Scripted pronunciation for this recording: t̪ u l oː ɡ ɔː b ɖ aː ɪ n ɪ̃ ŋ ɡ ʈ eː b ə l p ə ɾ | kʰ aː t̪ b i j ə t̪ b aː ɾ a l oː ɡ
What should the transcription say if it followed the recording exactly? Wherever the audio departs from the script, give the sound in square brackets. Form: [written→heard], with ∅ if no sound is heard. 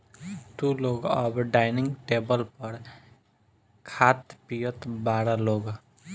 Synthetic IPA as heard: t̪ u l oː ɡ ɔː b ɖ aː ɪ n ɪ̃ ŋ ɡ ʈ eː b ə l p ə ɾ | kʰ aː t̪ [b→p] i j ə t̪ b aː ɾ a l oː ɡ